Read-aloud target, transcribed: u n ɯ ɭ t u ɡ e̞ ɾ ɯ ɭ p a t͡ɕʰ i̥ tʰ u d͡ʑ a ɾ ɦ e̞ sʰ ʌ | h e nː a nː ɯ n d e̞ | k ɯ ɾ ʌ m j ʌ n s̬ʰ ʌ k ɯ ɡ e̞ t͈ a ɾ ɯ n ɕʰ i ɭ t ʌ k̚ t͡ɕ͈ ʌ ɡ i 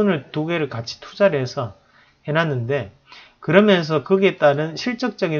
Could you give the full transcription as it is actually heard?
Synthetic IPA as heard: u n ɯ ɭ t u ɡ e̞ ɾ ɯ ɭ k a t͡ɕʰ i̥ tʰ u d͡ʑ a ɾ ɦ e̞ sʰ ʌ | h e n a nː ɯ n d e̞ | k ɯ ɾ ʌ m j ʌ n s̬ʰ ʌ k ɯ ɡ e̞ t͈ a ɾ ɯ n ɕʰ i ɭ t͡ɕ͈ ʌ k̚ t͡ɕ͈ ʌ ɡ i